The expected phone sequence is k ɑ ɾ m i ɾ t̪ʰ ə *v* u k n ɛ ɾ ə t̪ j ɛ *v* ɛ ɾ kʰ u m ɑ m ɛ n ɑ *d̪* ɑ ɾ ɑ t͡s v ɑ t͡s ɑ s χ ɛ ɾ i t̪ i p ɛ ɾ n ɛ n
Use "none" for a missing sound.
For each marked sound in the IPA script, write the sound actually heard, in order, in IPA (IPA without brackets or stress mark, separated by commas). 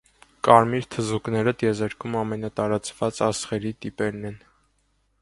z, z, t̪